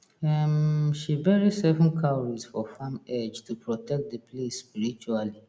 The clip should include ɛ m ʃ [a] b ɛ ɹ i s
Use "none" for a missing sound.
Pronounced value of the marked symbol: i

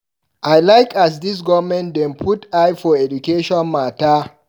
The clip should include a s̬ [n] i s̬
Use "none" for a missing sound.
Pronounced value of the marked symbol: d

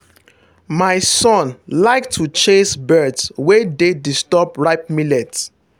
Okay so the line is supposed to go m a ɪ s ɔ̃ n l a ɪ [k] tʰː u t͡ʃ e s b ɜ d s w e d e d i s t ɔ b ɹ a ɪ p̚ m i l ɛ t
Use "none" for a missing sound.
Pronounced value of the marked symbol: k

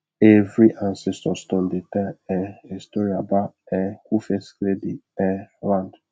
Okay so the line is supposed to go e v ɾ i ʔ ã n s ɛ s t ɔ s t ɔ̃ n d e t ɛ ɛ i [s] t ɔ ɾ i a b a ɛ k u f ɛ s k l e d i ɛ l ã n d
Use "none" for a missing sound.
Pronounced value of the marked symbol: s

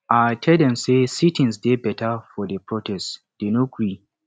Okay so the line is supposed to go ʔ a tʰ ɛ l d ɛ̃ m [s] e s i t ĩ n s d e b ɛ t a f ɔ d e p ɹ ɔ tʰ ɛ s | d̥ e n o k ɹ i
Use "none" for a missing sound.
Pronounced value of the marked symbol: s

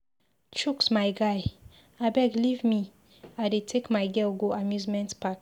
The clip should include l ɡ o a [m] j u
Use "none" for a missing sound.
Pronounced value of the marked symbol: m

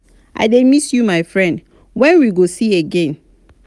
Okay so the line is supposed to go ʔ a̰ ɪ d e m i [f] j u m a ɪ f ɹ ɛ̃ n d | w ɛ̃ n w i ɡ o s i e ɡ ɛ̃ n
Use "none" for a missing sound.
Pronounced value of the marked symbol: s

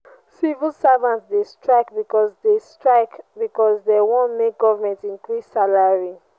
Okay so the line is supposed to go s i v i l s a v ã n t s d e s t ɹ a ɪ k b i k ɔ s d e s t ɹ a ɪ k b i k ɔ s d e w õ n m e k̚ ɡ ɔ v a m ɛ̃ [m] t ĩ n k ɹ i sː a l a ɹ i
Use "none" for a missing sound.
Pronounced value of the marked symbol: n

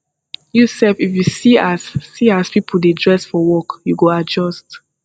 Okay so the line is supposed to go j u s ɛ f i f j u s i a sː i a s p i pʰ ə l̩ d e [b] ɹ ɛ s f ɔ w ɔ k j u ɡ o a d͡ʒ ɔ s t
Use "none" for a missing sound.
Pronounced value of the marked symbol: d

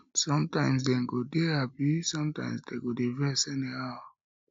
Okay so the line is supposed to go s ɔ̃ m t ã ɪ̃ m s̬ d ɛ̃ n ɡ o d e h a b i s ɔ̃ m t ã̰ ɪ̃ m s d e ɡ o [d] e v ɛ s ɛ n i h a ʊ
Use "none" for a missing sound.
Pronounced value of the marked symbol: d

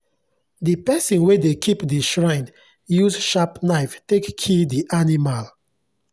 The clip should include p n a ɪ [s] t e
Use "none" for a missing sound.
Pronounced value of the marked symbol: f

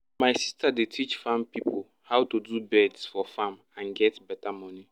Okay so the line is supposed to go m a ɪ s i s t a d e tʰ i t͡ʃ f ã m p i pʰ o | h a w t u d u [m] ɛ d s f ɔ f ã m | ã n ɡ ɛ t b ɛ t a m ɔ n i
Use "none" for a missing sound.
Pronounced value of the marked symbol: b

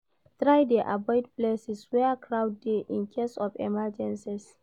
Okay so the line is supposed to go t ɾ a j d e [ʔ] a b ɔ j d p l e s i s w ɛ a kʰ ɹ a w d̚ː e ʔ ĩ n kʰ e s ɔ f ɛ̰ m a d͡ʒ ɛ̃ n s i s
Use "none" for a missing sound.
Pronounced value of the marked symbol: ʔ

